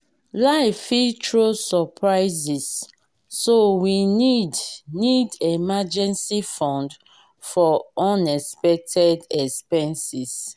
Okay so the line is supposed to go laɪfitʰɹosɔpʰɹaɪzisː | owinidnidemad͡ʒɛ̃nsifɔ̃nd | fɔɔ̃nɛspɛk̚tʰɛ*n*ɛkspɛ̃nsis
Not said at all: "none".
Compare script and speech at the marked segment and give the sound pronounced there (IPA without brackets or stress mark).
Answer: d